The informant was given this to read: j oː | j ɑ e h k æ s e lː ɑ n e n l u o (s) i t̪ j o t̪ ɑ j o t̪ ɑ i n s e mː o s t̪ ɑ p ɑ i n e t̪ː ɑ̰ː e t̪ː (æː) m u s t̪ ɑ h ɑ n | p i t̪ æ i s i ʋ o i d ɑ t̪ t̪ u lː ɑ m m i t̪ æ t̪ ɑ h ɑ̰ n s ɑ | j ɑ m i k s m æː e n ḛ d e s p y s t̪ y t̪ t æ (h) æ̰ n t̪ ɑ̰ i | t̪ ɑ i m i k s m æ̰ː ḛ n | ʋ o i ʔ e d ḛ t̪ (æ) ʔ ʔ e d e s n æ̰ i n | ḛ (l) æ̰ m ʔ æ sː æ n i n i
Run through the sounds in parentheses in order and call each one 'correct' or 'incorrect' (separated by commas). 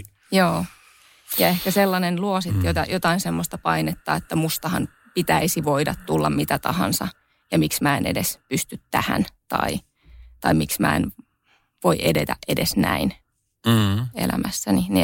correct, incorrect, correct, correct, correct